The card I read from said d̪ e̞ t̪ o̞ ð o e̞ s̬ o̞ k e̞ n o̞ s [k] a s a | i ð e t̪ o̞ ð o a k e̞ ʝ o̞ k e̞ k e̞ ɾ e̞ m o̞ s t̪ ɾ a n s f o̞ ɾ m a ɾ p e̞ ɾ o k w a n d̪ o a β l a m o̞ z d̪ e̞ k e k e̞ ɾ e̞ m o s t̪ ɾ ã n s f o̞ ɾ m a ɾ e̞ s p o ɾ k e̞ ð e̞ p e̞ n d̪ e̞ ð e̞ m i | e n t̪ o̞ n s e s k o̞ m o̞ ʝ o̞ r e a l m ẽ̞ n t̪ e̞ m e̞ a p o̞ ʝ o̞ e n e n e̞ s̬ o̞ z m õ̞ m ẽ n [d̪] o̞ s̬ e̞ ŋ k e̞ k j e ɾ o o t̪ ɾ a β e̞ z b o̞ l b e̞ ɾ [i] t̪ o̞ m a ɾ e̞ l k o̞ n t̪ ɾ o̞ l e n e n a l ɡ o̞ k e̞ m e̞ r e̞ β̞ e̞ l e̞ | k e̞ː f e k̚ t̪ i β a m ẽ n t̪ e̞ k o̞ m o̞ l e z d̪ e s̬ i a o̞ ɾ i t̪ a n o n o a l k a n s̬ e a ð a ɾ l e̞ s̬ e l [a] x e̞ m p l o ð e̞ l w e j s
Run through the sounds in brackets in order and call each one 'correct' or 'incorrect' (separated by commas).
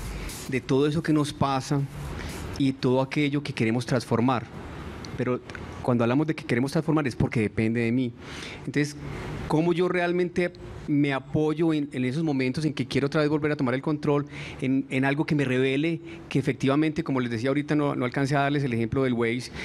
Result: incorrect, incorrect, incorrect, incorrect